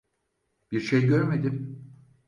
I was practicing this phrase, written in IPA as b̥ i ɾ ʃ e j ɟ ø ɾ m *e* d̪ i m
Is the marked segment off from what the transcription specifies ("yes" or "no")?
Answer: no